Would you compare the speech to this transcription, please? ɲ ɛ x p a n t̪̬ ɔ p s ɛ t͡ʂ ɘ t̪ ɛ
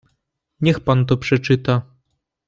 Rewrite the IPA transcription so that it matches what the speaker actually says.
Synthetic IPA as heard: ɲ ɛ x p a n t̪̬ ɔ p ʂ ɛ t͡ʂ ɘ t̪ a